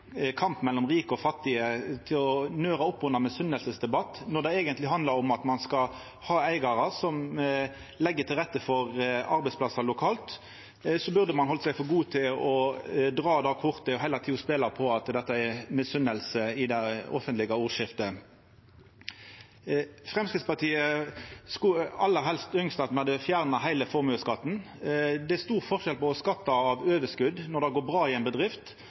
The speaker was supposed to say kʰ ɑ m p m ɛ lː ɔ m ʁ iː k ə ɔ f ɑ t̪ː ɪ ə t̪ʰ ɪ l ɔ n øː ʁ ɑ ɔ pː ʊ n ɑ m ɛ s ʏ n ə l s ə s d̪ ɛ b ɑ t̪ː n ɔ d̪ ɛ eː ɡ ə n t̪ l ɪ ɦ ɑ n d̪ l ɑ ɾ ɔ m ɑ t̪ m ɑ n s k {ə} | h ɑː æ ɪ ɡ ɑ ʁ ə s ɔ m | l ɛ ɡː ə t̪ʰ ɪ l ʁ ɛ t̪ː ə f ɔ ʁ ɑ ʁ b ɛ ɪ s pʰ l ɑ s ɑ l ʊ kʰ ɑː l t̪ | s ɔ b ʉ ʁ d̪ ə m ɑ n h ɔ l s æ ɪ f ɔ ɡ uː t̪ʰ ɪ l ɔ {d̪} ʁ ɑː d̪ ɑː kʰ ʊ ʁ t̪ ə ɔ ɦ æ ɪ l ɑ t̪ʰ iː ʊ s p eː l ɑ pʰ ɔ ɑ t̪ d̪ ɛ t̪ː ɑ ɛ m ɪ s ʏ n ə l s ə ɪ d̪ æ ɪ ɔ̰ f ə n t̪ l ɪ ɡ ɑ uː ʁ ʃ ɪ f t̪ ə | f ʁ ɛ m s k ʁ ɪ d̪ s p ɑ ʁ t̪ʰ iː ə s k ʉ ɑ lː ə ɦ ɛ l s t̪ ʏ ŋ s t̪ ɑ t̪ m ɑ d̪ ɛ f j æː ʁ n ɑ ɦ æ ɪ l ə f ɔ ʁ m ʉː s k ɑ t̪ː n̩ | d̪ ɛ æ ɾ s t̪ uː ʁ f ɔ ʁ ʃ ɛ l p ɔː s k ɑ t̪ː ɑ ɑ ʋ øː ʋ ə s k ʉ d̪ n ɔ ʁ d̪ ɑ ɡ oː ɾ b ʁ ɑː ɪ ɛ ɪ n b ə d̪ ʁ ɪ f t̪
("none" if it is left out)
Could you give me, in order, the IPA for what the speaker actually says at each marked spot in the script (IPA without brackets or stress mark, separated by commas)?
ɑ, d̪